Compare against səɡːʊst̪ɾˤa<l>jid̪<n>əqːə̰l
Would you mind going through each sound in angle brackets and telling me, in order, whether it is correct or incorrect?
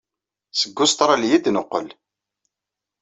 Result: correct, correct

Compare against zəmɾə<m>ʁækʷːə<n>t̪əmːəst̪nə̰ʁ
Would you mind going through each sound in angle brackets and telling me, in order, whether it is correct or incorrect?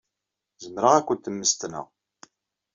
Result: incorrect: none, correct

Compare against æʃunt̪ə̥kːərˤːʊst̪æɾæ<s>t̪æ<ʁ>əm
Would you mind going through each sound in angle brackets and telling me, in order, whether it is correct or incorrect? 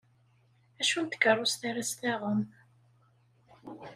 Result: correct, correct

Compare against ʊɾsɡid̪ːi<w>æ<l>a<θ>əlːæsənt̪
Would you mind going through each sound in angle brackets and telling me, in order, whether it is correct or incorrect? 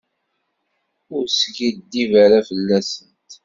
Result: incorrect: v, incorrect: ɾ, incorrect: f

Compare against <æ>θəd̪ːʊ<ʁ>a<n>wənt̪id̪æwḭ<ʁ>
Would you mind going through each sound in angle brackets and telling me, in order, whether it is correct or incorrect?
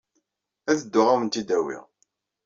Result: correct, correct, incorrect: none, correct

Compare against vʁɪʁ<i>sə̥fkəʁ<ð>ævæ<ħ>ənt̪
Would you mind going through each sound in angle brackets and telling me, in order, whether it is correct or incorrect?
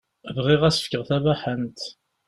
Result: incorrect: æ, incorrect: θ, correct

